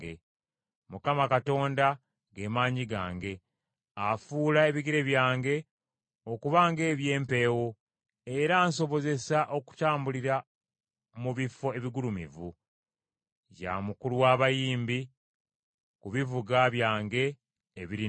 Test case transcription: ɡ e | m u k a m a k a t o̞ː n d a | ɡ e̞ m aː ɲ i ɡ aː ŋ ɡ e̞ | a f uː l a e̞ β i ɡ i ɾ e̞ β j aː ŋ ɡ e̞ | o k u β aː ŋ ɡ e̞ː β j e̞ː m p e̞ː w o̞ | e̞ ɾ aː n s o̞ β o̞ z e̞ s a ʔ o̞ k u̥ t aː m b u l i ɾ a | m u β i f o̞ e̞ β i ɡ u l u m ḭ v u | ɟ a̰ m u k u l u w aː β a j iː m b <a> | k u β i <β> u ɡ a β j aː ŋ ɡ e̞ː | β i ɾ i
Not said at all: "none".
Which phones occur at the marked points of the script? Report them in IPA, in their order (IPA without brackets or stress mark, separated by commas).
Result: i, v